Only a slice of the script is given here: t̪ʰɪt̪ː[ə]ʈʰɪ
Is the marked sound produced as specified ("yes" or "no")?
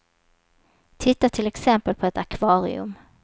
no